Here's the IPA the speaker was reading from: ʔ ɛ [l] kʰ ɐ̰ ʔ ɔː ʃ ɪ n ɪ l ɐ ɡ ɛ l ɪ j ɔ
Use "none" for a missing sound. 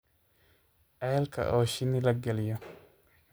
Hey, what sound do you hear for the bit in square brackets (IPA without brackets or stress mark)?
l